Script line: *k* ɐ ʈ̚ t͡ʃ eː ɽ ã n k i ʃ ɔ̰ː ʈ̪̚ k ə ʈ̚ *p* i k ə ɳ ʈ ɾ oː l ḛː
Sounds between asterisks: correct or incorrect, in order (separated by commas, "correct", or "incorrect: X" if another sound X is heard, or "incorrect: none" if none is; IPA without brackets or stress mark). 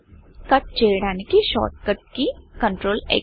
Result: correct, incorrect: k